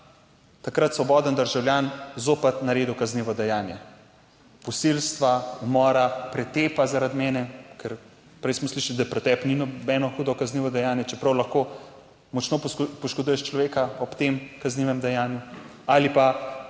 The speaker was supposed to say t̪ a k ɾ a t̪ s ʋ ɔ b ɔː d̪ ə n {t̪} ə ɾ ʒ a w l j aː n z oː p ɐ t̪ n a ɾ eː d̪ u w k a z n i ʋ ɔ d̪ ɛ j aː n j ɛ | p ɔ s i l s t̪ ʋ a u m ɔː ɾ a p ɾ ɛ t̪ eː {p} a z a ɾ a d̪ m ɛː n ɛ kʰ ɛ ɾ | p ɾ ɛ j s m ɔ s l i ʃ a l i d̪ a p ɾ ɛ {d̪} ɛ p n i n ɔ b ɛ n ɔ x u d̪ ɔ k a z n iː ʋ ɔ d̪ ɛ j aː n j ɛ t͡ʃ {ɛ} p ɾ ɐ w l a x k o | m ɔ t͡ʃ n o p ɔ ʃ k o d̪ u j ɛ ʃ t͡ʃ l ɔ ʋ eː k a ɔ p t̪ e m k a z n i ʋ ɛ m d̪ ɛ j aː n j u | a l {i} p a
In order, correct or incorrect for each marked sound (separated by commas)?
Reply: incorrect, correct, incorrect, correct, correct